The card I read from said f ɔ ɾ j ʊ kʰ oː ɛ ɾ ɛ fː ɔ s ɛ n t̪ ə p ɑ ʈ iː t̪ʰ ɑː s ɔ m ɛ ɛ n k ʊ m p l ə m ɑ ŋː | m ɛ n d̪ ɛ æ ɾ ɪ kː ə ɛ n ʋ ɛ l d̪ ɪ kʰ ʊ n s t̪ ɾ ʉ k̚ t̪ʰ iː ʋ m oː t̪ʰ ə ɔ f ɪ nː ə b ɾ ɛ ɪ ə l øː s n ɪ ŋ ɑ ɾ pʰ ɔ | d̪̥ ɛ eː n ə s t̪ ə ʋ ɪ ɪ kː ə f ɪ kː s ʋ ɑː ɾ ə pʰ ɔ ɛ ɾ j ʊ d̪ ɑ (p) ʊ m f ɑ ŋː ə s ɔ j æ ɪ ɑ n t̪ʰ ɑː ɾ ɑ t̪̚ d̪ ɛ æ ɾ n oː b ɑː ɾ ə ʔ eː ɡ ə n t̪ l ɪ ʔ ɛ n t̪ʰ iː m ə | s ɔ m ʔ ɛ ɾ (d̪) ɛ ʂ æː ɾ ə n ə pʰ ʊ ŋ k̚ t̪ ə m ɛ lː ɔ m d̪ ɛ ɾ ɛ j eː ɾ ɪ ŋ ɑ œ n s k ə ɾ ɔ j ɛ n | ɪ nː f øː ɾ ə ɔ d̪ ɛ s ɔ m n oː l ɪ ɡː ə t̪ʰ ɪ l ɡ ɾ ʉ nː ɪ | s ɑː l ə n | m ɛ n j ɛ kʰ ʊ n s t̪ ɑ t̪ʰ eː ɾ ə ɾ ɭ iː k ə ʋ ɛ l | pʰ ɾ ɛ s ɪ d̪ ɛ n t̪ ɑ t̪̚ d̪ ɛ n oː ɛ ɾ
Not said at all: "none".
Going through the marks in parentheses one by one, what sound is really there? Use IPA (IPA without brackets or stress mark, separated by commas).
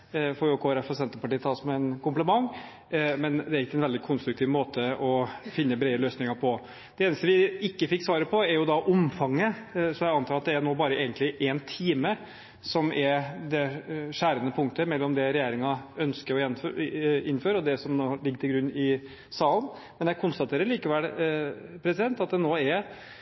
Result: ʔ, d̪